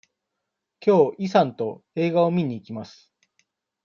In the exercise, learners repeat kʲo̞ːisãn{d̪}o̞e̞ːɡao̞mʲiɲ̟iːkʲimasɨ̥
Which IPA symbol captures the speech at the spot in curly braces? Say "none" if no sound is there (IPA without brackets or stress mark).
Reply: t̪